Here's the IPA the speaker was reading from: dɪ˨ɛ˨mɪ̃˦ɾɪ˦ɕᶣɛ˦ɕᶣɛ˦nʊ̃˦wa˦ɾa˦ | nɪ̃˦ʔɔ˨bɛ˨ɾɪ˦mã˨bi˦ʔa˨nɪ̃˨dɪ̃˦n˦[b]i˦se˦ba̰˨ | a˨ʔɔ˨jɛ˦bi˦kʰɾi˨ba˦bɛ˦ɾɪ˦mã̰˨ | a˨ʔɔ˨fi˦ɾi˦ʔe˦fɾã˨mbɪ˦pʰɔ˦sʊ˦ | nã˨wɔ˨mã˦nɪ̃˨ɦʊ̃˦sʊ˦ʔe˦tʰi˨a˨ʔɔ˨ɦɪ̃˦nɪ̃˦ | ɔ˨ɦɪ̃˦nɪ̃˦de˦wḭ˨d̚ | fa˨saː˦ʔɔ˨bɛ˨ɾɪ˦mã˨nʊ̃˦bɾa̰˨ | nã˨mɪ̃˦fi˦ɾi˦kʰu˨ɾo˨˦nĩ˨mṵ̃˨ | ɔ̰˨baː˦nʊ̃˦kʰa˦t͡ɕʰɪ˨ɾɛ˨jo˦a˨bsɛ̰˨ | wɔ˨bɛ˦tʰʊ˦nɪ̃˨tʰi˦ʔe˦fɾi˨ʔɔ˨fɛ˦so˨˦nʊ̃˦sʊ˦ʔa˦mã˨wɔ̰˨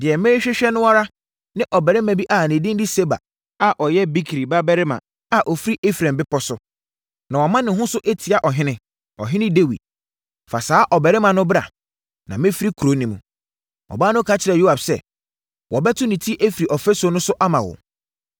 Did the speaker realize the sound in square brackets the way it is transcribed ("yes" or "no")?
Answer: no